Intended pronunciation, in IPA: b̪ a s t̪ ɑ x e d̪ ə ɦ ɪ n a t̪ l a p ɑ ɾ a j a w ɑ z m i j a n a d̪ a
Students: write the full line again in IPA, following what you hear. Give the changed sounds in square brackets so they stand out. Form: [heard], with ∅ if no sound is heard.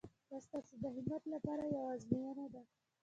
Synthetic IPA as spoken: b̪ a s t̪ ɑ [s] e d̪ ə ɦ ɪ [m] a t̪ l a p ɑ ɾ a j a w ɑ z m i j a n a d̪ a